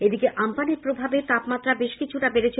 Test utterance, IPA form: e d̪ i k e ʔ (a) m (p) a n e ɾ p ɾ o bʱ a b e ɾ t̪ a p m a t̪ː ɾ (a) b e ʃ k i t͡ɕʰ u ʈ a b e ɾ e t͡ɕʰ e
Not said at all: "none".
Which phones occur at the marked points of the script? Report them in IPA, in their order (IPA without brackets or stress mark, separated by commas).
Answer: a, p, a